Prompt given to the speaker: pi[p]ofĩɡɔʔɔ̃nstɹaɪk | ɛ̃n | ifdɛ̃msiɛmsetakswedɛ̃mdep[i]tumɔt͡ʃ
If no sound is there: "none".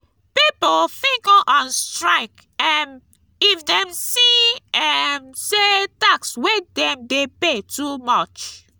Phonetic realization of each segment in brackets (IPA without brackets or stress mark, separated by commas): p, e